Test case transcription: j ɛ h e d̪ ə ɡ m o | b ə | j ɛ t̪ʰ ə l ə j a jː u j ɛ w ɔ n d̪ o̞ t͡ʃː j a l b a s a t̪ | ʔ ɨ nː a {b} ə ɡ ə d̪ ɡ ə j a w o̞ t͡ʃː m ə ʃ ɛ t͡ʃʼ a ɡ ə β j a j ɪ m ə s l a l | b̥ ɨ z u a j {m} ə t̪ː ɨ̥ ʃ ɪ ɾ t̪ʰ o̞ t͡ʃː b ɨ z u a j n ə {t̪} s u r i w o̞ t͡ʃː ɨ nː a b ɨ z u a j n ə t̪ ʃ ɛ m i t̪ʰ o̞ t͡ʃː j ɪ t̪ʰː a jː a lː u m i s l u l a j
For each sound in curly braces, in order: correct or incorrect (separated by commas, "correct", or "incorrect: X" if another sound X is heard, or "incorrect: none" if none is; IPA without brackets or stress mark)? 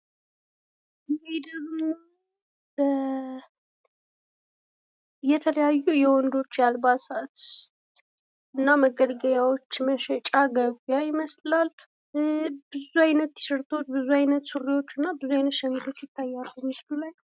incorrect: m, incorrect: n, correct